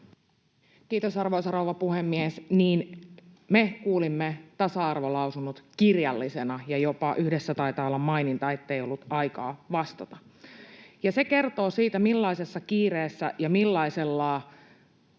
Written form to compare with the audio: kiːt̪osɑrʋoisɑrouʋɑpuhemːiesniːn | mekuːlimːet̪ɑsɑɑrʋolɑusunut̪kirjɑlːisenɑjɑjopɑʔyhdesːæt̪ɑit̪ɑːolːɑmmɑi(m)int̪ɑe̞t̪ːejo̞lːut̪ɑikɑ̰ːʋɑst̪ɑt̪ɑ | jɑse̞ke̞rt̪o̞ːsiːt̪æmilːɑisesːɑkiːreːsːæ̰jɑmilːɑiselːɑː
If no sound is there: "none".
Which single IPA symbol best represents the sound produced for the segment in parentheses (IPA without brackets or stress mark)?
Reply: n